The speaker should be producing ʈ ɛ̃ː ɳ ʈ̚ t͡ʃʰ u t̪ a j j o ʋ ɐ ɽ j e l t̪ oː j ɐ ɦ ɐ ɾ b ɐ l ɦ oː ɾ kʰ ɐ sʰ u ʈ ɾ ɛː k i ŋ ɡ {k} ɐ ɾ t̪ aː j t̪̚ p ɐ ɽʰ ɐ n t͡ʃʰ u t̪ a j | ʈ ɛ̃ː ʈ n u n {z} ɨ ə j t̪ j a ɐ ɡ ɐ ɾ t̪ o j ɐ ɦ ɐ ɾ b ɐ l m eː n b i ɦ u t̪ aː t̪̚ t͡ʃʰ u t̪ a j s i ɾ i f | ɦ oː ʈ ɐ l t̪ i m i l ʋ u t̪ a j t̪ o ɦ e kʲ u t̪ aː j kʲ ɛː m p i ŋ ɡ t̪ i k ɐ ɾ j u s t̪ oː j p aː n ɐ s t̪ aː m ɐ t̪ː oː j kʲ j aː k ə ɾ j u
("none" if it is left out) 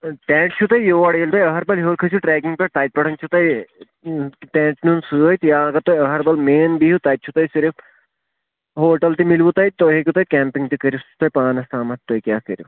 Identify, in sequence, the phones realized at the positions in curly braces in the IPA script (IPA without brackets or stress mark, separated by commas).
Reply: p, s